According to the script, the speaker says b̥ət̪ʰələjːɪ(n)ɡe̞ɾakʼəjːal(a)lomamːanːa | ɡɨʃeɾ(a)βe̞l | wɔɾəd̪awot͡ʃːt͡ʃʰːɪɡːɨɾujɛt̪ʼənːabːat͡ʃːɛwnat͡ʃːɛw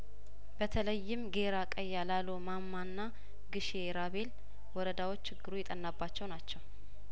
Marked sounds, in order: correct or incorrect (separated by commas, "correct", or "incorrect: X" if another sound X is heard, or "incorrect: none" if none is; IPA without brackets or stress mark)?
incorrect: m, correct, correct